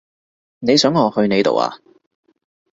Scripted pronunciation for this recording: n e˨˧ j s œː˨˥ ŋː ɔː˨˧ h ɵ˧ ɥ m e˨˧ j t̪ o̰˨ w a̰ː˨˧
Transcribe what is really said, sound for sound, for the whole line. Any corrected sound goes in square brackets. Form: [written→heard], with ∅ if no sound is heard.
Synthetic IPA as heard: n e˨˧ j s œː˨˥ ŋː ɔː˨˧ h ɵ˧ ɥ [m→n] e˨˧ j t̪ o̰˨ w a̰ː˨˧